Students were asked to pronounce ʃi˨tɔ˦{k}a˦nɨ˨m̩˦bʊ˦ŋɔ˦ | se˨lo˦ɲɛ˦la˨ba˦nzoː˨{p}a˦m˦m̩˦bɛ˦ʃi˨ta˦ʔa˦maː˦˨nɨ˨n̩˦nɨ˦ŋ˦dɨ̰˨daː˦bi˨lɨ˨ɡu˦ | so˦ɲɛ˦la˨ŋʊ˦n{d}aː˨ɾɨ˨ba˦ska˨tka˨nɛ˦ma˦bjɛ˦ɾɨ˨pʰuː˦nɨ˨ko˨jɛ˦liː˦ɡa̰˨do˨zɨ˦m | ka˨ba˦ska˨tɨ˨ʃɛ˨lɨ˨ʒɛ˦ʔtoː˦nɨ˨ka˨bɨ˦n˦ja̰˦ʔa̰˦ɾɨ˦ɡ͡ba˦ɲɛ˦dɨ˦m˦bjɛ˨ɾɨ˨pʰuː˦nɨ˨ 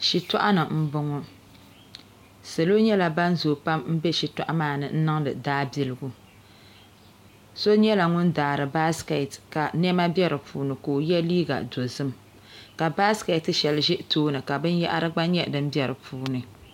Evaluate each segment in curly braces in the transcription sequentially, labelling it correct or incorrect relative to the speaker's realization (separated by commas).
incorrect, correct, correct